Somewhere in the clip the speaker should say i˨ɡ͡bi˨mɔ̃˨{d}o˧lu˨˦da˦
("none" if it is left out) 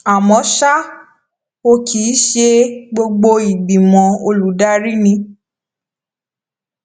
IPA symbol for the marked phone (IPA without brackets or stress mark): none